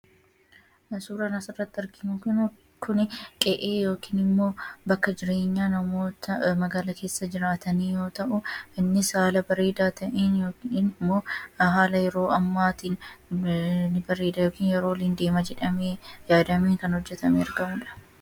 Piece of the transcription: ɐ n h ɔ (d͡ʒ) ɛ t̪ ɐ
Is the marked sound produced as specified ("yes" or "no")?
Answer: no